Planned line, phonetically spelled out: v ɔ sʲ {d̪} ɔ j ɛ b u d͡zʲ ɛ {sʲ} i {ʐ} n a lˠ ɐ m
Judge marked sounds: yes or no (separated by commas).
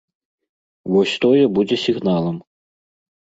no, yes, no